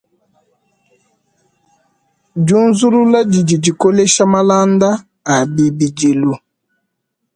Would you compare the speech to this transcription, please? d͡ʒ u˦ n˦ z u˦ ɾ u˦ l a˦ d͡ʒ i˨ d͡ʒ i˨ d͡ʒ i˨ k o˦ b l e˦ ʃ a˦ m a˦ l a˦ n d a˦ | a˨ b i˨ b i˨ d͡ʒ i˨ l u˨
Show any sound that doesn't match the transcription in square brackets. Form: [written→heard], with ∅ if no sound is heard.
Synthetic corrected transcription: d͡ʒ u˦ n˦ z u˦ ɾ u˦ l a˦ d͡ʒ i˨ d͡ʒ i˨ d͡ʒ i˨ k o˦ [b→∅] l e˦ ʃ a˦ m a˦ l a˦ n d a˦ | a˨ b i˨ b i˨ d͡ʒ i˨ l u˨